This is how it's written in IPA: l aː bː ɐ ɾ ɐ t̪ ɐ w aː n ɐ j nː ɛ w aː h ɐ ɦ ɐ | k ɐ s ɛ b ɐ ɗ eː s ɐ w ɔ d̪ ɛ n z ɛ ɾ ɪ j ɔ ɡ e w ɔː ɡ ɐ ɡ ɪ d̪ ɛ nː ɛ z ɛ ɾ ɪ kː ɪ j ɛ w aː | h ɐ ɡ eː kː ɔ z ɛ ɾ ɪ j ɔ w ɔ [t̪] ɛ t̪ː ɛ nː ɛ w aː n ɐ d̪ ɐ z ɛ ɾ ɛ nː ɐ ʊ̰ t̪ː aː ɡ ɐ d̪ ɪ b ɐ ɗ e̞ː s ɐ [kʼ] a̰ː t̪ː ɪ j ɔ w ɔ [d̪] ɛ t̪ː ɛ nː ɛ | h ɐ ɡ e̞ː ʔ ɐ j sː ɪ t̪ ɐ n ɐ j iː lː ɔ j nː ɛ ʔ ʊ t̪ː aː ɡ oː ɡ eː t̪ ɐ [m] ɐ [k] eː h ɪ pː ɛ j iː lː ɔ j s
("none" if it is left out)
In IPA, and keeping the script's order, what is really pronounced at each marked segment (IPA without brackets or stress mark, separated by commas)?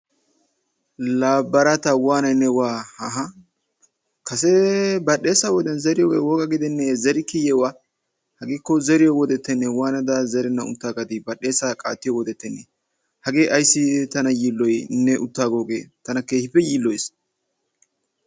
d̪, kʼ, d̪, n, k